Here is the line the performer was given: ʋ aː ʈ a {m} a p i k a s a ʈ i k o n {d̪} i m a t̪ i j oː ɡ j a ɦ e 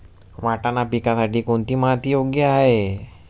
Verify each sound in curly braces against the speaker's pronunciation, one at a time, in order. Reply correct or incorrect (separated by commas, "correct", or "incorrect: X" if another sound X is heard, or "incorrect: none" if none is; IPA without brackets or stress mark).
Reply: incorrect: n, incorrect: t̪